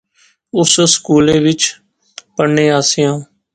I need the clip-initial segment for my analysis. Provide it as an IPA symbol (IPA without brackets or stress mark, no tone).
ʊ